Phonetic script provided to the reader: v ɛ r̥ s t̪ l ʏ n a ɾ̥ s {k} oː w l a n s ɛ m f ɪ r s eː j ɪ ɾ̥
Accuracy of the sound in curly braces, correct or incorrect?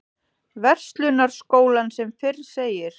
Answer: correct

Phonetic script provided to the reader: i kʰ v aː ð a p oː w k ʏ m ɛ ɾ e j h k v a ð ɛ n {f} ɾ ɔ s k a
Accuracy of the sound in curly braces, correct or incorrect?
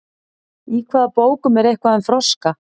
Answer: correct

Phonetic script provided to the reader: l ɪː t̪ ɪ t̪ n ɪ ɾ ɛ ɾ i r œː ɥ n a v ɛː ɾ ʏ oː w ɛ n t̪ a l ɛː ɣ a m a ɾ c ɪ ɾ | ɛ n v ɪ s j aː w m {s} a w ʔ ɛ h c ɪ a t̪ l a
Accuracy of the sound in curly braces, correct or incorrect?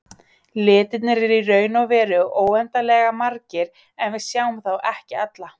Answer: incorrect: θ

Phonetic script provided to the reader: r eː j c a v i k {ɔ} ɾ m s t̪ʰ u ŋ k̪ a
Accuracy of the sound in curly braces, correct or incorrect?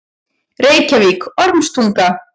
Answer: correct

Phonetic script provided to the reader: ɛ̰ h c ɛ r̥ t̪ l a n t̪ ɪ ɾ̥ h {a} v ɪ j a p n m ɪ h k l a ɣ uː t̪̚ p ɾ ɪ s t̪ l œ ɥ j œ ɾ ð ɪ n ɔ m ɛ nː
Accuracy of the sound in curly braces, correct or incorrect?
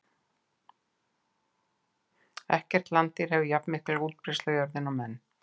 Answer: incorrect: ɛ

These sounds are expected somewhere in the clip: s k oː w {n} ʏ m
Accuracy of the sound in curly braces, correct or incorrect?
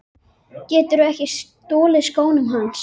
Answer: correct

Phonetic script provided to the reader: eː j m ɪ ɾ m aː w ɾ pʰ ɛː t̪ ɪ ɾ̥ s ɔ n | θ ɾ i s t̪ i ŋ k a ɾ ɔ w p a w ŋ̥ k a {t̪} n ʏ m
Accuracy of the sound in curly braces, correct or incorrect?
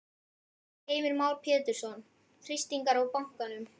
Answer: incorrect: none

